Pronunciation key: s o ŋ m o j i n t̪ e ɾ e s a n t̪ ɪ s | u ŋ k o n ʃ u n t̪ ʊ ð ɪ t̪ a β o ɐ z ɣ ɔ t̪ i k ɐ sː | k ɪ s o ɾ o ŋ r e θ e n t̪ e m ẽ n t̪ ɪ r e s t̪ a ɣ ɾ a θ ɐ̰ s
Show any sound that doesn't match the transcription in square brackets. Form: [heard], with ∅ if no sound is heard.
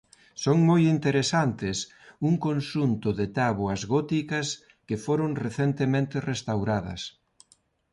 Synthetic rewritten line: s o ŋ m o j i n t̪ e ɾ e s a n t̪ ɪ s | u ŋ k o n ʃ u n t̪ ʊ ð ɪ t̪ a β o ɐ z ɣ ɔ t̪ i k ɐ [s] | k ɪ [f] o ɾ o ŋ r e θ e n t̪ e m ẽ n t̪ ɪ r e s t̪ a [w] ɾ a [ð] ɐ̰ s

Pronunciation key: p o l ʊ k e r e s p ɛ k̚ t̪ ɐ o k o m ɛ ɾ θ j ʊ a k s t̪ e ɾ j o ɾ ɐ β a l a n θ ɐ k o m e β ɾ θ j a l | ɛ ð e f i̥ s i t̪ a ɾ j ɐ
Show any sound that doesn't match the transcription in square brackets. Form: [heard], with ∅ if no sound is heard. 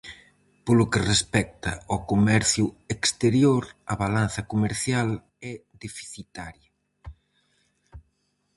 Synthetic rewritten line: p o l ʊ k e r e s p ɛ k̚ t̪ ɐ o k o m ɛ ɾ θ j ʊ [e] k s t̪ e ɾ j o ɾ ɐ β a l a n θ ɐ k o m e [∅] ɾ θ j a l | ɛ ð e f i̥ [θ] i t̪ a ɾ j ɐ

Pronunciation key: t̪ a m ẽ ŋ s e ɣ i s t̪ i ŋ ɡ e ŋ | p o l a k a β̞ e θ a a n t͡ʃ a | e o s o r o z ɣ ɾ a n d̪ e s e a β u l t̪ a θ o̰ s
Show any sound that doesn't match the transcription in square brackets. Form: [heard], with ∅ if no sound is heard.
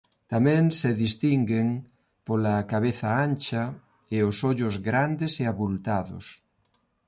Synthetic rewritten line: t̪ a m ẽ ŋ s e [ð] i s t̪ i ŋ ɡ e ŋ | p o l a k a β̞ e θ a a n t͡ʃ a | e o s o [ʎ] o z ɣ ɾ a n d̪ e s e a β u l t̪ a [ð] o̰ s

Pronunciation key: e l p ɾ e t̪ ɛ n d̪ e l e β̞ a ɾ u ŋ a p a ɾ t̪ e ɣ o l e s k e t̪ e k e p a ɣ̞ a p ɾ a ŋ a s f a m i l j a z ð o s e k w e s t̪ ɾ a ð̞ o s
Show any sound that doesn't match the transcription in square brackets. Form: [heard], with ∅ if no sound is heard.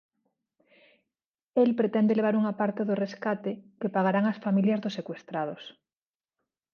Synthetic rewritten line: e l p ɾ e t̪ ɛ n d̪ e l e β̞ a ɾ u ŋ a p a ɾ t̪ e [ð] o [r] e s k [a] t̪ e k e p a ɣ̞ a [∅] ɾ a ŋ a s f a m i l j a z ð o s e k w e s t̪ ɾ a ð̞ o s

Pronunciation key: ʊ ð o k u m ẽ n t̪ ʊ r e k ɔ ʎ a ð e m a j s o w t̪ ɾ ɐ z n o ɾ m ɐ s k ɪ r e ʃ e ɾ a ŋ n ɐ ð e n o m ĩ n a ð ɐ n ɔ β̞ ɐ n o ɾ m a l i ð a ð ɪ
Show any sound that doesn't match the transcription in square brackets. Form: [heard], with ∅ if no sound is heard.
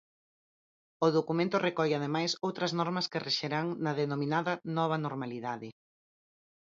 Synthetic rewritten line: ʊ ð o k u m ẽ n t̪ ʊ r e k ɔ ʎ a ð e m a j s o w t̪ ɾ ɐ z n [ɔ] ɾ m ɐ s k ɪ r e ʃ e ɾ a ŋ n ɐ ð e n o m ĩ n a ð ɐ n ɔ β̞ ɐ n o ɾ m a l i ð a ð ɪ

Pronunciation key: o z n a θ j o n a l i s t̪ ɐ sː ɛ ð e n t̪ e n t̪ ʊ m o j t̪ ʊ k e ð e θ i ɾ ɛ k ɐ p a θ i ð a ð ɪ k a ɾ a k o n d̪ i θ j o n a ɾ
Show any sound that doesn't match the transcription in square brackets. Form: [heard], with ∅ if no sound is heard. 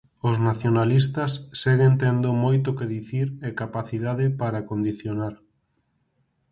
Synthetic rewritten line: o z n a θ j o n a l i s t̪ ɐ sː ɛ [ɣ] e n t̪ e n [d̪] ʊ m o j t̪ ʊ k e ð [i] θ i ɾ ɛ k [a] p a θ i ð a ð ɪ [p] a ɾ a k o n d̪ i θ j o n a ɾ

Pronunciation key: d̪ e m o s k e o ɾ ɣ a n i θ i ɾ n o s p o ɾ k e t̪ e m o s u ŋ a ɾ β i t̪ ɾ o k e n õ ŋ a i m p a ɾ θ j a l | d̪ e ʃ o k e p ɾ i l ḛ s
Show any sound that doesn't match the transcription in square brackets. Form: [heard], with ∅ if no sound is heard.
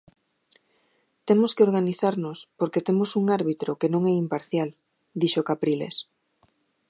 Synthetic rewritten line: [t̪] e m o s k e o ɾ ɣ a n i θ [a] ɾ n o s p o ɾ k e t̪ e m o s u ŋ a ɾ β i t̪ ɾ o k e n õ ŋ [ɛ] i m p a ɾ θ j a l | d̪ [i] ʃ o k [a] p ɾ i l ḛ s

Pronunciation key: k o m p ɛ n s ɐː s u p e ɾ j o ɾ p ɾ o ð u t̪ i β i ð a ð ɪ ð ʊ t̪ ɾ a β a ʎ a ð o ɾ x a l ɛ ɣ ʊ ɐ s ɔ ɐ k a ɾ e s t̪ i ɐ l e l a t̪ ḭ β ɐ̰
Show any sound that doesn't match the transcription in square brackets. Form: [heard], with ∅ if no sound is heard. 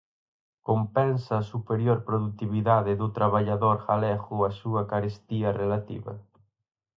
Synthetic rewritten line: k o m p ɛ n s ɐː s u p e ɾ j o ɾ p ɾ o ð u t̪ i β i ð a ð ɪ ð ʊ t̪ ɾ a β a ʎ a ð o ɾ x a l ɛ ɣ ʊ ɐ s [u] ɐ k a ɾ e s t̪ i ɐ [r] e l a t̪ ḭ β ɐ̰

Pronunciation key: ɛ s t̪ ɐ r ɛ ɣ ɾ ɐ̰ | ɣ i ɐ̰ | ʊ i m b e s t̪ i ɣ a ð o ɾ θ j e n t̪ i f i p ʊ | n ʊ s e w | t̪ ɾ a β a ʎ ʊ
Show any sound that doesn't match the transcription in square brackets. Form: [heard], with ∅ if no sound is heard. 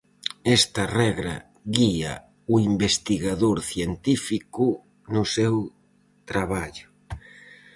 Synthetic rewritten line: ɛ s t̪ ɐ r ɛ ɣ ɾ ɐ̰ | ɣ i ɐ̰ | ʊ i m b e s t̪ i ɣ a ð o ɾ θ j e n t̪ i f i [k] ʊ | n ʊ s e w | t̪ ɾ a β a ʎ ʊ

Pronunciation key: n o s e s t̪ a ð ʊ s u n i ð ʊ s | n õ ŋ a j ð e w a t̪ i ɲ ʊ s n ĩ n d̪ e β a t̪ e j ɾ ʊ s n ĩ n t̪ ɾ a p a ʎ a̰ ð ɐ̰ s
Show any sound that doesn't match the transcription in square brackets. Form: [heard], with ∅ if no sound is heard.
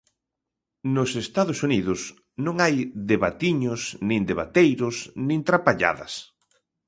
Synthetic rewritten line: n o s e s t̪ a ð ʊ s u n i ð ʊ s | n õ ŋ a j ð e [β] a t̪ i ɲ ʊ s n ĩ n d̪ e β a t̪ e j ɾ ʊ s n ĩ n t̪ ɾ a p a ʎ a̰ ð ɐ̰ s

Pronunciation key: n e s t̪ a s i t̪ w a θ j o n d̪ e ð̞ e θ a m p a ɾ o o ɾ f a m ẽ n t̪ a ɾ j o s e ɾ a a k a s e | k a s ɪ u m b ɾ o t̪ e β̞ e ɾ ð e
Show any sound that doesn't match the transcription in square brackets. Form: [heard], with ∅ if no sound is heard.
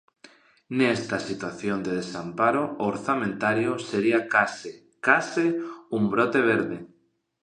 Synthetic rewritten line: n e s t̪ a s i t̪ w a θ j o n d̪ e ð̞ e [s] a m p a ɾ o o ɾ [θ] a m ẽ n t̪ a ɾ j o s e ɾ [i] a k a s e | k a s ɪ u m b ɾ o t̪ e β̞ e ɾ ð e

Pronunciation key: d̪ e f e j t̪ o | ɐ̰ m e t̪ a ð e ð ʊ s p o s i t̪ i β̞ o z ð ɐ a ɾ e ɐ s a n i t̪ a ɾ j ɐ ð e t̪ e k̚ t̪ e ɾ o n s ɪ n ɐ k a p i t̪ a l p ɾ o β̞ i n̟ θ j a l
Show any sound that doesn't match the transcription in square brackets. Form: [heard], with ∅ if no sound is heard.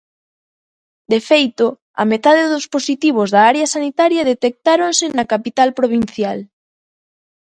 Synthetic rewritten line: d̪ e f e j t̪ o | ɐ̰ m e t̪ a ð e ð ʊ s p o s i t̪ i β̞ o z ð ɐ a ɾ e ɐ s a n i t̪ a ɾ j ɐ ð e t̪ e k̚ t̪ [a] ɾ o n s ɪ n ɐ k a p i t̪ a l p ɾ o β̞ i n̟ θ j a l

